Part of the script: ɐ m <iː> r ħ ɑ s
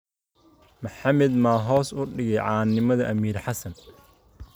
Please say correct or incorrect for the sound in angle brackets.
correct